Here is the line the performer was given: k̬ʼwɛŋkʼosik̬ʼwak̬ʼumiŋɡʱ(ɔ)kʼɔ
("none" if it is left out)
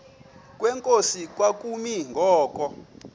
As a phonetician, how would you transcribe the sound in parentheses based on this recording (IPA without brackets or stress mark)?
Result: ɔː